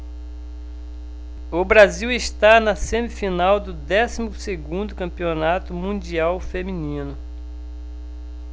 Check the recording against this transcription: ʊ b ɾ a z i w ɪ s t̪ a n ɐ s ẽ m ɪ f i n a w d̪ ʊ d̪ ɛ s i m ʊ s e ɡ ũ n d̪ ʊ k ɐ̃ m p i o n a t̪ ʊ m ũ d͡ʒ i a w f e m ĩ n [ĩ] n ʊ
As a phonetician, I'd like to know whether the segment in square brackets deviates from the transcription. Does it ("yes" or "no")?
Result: no